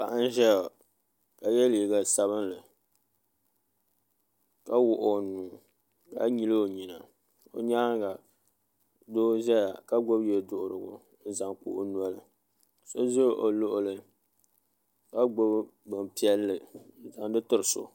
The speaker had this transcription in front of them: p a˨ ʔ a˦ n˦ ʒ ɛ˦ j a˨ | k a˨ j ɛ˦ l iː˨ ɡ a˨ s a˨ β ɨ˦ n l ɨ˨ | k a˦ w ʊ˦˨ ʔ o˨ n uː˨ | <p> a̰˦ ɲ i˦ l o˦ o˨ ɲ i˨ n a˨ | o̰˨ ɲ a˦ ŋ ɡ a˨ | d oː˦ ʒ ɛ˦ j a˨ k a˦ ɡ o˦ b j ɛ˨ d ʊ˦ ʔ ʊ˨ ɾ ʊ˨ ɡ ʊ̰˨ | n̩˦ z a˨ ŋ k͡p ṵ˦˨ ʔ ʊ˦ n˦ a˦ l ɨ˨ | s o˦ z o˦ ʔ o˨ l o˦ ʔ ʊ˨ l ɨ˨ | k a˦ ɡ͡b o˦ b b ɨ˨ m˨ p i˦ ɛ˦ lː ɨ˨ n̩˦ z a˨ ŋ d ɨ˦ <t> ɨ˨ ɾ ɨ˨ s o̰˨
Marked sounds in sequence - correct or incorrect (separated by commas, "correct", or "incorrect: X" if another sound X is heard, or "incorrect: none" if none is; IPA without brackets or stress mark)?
incorrect: k, correct